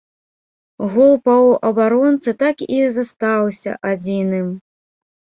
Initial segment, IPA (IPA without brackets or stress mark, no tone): ɣ